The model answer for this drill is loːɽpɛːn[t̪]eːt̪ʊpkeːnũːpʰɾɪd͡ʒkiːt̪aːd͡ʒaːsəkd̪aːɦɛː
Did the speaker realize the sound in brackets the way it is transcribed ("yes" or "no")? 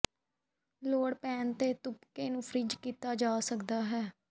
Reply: yes